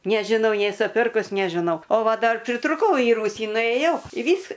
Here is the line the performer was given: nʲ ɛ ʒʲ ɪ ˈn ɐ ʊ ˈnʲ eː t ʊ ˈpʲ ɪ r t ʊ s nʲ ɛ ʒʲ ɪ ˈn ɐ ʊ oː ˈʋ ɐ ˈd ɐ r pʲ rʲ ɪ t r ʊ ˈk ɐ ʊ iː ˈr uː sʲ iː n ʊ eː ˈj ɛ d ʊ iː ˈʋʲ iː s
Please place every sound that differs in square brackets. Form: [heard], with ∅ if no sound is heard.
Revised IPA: nʲ ɛ ʒʲ ɪ ˈn ɐ ʊ ˈnʲ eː [s] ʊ ˈpʲ ɪ r [k] ʊ s nʲ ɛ ʒʲ ɪ ˈn ɐ ʊ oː ˈʋ ɐ ˈd ɐ r pʲ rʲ ɪ t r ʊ ˈk ɐ ʊ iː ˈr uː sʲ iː n ʊ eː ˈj ɛ [∅] ʊ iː ˈʋʲ iː s